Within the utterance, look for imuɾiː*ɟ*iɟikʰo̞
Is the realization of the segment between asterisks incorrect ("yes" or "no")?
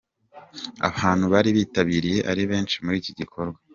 yes